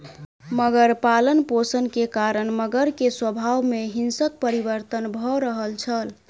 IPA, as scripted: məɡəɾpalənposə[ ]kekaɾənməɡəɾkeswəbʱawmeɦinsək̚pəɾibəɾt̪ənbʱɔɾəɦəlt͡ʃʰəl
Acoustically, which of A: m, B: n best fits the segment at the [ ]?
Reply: B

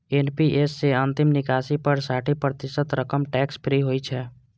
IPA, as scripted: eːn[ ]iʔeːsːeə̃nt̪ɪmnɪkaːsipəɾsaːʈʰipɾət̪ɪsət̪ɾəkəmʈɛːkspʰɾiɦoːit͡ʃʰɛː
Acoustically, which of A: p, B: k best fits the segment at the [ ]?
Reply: A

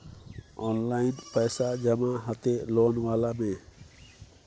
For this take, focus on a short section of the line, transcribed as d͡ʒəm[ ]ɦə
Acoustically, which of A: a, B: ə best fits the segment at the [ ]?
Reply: A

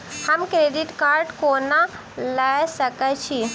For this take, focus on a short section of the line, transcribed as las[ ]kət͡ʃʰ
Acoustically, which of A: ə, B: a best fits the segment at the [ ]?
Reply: A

